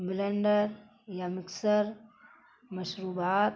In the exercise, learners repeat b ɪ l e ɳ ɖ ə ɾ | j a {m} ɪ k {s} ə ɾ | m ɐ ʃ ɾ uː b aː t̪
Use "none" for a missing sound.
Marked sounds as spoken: m, s

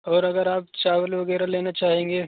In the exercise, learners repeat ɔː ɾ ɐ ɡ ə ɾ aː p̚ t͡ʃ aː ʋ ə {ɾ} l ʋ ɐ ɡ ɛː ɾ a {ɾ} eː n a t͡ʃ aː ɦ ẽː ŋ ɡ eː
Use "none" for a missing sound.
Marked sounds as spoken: none, l

